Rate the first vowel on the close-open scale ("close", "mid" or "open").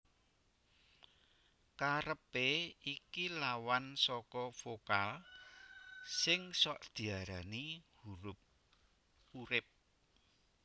open